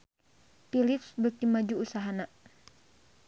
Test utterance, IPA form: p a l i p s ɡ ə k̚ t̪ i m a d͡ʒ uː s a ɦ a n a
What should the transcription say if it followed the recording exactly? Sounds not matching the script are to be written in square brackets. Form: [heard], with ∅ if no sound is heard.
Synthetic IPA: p [i] l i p s [b] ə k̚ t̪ i m a d͡ʒ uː s a ɦ a n a